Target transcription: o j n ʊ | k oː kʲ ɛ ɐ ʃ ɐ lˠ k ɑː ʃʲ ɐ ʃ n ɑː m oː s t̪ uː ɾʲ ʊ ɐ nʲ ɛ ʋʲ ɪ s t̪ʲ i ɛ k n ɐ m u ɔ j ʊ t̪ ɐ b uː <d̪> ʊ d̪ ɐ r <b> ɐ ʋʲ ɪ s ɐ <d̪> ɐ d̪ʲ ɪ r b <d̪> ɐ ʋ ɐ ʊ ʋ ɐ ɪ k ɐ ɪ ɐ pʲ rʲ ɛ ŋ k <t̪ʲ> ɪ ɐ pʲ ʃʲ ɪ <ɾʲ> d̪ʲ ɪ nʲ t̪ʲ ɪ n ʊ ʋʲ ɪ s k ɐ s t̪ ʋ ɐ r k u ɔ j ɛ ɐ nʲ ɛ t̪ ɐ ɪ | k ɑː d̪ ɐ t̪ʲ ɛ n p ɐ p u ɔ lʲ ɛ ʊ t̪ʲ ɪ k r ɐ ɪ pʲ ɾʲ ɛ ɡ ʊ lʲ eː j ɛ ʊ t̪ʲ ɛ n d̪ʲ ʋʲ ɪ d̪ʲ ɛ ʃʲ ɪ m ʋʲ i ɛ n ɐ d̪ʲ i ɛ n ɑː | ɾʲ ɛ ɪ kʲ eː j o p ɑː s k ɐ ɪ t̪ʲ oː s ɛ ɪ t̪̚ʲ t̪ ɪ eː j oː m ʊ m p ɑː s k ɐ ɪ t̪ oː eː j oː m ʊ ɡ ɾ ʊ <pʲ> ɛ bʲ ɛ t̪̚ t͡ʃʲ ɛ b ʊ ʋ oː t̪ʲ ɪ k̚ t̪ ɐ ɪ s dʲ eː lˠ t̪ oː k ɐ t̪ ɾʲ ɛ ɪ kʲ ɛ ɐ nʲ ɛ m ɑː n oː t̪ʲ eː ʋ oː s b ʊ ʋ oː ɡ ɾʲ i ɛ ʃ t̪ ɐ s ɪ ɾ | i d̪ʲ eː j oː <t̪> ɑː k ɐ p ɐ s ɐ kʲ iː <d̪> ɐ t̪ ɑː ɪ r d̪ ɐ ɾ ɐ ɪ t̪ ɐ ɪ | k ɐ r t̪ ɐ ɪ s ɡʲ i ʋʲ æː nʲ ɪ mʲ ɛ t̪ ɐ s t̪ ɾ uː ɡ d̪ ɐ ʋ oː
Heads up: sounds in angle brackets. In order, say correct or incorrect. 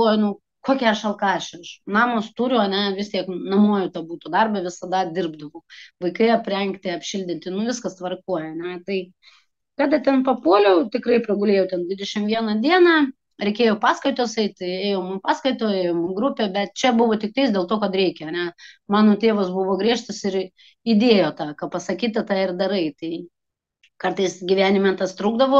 incorrect: t̪, correct, correct, correct, correct, incorrect: lʲ, correct, correct, incorrect: t̪

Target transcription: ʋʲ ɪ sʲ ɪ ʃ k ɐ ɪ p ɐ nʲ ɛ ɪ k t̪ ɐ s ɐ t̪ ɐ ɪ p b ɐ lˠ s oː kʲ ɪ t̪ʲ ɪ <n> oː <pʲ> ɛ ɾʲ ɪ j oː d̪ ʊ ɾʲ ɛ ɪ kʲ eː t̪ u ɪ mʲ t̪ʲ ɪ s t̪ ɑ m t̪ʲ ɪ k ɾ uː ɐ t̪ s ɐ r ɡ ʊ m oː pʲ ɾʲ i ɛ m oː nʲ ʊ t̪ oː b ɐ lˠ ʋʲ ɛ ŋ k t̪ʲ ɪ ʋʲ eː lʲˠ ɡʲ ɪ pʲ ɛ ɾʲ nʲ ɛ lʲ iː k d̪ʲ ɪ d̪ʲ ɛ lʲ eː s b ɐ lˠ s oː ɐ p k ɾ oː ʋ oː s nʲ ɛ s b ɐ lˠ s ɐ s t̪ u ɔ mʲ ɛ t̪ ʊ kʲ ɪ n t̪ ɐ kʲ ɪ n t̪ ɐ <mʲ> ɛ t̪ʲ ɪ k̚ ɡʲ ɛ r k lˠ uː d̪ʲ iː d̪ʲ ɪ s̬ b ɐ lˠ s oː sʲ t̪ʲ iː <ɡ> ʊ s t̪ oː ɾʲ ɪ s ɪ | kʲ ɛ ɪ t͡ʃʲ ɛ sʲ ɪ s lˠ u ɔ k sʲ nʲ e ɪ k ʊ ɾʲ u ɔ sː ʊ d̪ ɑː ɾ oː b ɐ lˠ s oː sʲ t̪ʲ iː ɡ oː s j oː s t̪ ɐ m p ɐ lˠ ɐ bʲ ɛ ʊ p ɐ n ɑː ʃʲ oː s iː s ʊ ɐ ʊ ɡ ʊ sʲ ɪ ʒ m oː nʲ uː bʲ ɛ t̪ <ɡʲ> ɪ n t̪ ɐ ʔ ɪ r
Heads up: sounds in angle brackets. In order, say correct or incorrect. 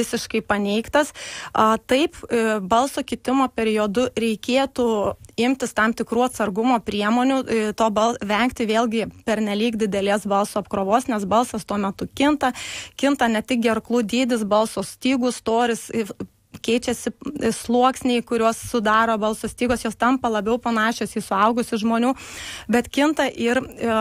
incorrect: m, correct, incorrect: nʲ, correct, incorrect: kʲ

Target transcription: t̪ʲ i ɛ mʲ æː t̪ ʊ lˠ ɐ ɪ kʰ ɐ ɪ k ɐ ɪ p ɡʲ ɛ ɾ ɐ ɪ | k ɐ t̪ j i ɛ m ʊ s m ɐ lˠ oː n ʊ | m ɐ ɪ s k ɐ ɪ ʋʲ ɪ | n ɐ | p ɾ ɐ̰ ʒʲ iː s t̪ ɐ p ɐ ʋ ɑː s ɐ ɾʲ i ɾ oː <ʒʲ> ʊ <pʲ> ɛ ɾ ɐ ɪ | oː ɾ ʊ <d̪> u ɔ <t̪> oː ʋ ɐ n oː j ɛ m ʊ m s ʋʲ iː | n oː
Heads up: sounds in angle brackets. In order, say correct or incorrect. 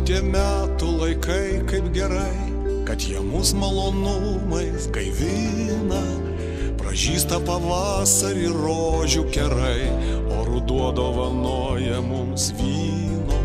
correct, incorrect: kʲ, correct, incorrect: d̪

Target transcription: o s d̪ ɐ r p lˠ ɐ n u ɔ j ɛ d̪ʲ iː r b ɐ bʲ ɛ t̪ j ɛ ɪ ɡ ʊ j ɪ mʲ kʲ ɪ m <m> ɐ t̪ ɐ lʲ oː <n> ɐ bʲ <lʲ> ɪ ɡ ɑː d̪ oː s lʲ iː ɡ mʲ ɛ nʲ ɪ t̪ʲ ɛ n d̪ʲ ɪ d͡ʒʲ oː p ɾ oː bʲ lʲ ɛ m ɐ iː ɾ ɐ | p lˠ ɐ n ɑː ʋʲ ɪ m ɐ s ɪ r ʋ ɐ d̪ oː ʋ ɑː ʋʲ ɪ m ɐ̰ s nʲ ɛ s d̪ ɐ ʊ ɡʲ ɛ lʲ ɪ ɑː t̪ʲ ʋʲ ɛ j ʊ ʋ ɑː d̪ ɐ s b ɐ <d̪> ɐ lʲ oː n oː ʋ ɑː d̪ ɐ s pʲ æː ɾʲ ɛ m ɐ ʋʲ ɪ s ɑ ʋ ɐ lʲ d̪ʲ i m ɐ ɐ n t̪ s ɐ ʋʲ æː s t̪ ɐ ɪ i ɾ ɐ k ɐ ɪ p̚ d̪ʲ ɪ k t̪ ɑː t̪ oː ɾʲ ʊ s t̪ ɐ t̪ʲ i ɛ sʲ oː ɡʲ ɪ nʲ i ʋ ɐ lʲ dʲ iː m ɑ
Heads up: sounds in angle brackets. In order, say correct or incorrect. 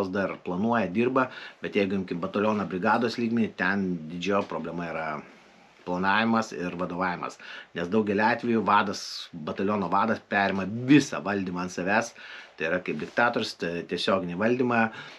incorrect: b, correct, incorrect: ɾʲ, incorrect: t̪

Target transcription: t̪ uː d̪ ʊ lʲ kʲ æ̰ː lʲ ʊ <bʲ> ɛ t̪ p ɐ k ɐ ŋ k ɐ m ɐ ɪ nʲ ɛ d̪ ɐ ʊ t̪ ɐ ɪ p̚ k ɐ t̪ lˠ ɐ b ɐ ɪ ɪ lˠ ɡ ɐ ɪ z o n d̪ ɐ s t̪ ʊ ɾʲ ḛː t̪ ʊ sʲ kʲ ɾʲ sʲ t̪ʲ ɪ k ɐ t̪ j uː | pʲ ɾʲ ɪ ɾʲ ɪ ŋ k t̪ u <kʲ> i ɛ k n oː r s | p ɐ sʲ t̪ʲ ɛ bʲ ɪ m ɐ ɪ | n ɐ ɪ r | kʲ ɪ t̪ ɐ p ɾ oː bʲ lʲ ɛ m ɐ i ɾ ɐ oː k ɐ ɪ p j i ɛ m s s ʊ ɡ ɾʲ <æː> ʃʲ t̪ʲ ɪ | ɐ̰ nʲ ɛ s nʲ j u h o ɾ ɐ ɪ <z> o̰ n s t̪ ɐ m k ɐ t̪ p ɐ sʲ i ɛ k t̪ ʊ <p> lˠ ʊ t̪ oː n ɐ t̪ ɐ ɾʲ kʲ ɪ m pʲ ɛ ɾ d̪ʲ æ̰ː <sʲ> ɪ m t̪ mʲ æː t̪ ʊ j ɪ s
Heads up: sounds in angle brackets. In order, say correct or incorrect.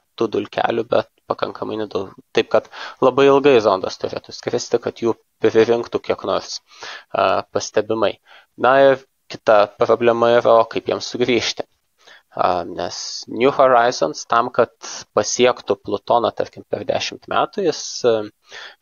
correct, correct, incorrect: iː, correct, correct, incorrect: ʃʲ

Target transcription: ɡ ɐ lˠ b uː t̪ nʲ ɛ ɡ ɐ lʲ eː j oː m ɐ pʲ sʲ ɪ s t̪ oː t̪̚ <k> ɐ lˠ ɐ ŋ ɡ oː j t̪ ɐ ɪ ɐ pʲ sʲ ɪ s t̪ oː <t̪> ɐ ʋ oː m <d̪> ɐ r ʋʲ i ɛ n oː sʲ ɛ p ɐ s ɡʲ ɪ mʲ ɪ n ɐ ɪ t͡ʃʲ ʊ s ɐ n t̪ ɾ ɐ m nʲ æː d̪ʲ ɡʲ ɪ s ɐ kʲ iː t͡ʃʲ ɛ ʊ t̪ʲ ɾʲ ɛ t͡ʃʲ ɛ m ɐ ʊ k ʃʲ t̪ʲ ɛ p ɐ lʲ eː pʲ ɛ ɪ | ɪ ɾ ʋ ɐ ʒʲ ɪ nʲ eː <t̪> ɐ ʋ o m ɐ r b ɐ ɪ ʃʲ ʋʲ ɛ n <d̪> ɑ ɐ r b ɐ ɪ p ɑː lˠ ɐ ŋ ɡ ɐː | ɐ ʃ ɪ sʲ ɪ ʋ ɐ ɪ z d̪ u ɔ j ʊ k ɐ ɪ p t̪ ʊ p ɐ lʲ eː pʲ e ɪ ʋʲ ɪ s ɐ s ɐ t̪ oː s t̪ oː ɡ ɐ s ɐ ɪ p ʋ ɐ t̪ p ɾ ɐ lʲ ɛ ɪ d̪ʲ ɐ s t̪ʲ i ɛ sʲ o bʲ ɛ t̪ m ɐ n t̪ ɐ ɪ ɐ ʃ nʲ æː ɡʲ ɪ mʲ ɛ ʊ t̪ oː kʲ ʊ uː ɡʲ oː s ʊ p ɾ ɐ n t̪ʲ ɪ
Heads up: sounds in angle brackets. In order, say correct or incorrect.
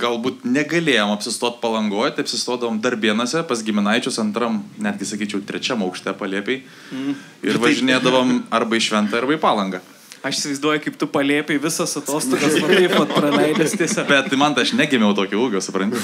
incorrect: p, incorrect: d̪, correct, incorrect: d̪, incorrect: t̪

